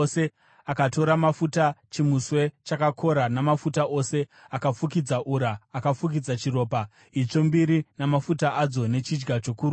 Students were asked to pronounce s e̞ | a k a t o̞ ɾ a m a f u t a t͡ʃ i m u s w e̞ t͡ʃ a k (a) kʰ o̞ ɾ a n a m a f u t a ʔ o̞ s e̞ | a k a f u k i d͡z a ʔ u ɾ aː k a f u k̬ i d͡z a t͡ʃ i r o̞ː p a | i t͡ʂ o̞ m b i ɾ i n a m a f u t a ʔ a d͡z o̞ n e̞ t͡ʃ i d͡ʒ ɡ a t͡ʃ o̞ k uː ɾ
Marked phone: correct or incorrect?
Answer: correct